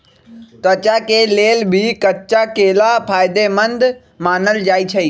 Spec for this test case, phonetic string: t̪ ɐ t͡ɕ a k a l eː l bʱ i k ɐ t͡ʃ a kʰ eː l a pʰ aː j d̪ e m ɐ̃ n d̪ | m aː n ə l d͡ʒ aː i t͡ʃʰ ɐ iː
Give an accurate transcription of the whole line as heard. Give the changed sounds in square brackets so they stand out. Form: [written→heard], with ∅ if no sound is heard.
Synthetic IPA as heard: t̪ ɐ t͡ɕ a k [a→e] l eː l bʱ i k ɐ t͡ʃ a [kʰ→k] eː l a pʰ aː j d̪ e m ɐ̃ n d̪ | m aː n ə l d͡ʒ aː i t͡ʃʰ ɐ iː